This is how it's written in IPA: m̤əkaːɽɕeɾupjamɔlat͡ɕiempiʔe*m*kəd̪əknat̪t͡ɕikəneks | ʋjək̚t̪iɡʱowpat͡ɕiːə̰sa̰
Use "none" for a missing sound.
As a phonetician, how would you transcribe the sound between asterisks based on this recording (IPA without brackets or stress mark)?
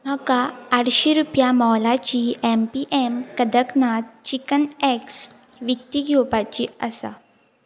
m